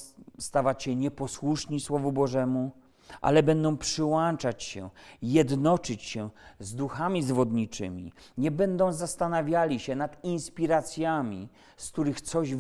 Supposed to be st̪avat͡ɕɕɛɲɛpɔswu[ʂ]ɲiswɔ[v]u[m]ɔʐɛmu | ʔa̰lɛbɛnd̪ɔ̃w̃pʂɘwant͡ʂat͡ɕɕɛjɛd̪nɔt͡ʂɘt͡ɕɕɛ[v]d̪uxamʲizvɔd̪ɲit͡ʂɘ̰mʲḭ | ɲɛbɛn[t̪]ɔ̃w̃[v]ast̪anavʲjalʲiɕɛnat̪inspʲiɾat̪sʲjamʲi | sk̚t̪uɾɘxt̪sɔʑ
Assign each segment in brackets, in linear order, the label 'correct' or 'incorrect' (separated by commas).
correct, correct, incorrect, incorrect, incorrect, incorrect